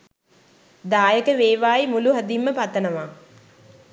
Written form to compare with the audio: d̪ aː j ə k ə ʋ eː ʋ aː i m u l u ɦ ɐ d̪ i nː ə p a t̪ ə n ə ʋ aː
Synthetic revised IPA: d̪ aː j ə k ə ʋ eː ʋ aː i m u l u ɦ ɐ d̪ i mː ə p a t̪ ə n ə ʋ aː